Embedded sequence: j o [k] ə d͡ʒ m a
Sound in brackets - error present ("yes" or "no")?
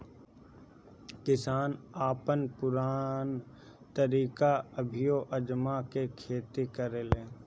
yes